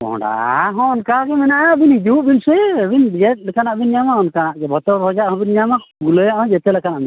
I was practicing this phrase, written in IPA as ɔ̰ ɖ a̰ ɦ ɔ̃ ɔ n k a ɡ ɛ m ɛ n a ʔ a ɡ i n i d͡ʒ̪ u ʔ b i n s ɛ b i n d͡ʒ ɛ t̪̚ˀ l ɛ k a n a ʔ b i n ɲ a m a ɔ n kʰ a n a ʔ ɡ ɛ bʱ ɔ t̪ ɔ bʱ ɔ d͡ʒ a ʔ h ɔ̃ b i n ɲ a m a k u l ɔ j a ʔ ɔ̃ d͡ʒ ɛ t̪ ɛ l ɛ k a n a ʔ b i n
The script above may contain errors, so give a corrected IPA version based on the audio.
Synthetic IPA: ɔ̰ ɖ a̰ ɦ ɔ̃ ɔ n k a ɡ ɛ m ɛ n a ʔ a b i n i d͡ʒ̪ u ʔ b i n s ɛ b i n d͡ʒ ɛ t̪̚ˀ l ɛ k a n a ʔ b i n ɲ a m a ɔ n k a n a ʔ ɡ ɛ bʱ ɔ t̪ ɔ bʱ ɔ d͡ʒ a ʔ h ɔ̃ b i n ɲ a m a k u l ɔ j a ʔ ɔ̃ d͡ʒ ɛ t̪ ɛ l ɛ k a n a ʔ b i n